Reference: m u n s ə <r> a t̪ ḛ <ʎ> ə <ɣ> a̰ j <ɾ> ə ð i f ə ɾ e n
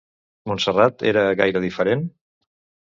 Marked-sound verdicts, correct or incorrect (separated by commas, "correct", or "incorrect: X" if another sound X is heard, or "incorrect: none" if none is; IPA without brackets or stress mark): correct, incorrect: ɾ, correct, correct